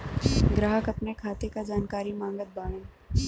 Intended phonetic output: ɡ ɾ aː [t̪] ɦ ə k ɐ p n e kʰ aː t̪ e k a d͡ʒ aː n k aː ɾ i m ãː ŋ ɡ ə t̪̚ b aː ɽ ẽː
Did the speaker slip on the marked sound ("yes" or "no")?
yes